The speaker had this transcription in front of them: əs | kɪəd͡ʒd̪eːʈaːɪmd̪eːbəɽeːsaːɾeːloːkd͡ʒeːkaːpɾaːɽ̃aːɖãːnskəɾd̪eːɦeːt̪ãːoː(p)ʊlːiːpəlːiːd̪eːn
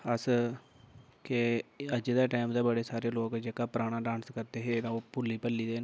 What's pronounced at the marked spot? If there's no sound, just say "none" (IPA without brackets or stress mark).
p